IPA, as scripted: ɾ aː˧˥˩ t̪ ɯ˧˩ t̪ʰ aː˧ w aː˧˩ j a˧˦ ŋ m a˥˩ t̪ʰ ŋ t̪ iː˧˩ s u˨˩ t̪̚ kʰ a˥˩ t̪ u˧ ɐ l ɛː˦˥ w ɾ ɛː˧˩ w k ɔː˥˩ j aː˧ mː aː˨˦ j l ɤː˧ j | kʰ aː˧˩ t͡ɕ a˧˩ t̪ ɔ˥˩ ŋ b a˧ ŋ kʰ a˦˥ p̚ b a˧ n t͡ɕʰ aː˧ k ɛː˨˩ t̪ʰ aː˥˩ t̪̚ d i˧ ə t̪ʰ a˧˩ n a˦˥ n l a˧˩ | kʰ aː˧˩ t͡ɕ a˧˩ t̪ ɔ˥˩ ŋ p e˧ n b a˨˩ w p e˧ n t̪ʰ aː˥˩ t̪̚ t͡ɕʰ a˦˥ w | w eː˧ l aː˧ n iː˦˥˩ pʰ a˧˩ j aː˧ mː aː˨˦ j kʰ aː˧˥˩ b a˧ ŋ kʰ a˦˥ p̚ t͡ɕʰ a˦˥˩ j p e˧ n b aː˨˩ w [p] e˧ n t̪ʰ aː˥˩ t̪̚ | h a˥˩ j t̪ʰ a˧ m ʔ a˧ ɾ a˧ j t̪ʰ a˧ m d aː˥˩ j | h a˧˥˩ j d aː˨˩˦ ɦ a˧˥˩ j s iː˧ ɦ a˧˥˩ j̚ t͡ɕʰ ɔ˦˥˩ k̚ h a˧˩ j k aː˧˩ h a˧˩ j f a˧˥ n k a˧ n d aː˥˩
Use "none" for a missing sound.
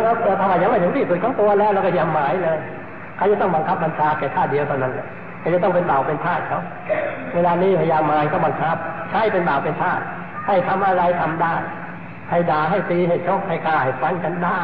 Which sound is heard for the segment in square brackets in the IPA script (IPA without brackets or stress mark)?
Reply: p